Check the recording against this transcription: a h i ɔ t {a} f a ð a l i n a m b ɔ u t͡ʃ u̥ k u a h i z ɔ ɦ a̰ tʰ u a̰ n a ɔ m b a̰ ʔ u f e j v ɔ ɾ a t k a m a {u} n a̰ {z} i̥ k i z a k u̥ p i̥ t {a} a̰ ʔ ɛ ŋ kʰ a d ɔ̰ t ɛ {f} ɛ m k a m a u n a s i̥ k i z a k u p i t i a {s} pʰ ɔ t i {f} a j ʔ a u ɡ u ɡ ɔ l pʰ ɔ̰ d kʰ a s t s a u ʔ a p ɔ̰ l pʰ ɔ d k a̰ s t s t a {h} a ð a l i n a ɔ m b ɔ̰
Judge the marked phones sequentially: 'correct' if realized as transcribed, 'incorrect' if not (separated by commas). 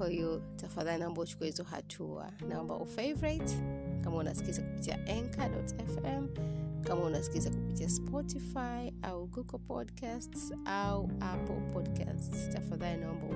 correct, correct, incorrect, incorrect, correct, correct, correct, incorrect